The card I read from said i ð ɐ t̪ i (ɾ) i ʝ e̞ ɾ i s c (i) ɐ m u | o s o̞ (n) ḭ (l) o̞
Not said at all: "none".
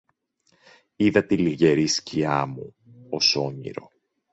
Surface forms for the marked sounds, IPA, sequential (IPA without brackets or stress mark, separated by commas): l, i, ɲ, ɾ